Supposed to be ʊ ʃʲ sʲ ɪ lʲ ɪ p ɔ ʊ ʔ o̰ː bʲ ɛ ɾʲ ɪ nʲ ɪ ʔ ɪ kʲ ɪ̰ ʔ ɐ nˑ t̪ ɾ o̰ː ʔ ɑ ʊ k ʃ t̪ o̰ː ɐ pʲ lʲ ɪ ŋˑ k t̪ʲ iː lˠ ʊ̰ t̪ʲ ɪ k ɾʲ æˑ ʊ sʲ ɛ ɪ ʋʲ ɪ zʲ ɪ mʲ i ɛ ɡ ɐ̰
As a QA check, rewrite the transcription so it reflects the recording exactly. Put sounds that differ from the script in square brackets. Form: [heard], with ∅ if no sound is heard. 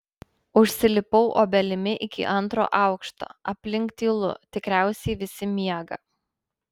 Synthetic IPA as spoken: ʊ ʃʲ sʲ ɪ lʲ ɪ p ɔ ʊ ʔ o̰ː bʲ ɛ [lʲ] ɪ [mʲ] ɪ ʔ ɪ kʲ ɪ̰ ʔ ɐ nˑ t̪ ɾ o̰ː ʔ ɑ ʊ k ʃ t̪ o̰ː ɐ pʲ lʲ ɪ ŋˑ k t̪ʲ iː lˠ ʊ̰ t̪ʲ ɪ k ɾʲ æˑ ʊ sʲ ɛ ɪ ʋʲ ɪ [sʲ] ɪ mʲ i ɛ ɡ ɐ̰